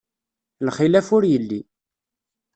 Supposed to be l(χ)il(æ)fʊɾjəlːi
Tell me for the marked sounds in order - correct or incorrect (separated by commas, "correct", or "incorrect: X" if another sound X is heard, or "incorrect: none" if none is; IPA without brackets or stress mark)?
correct, correct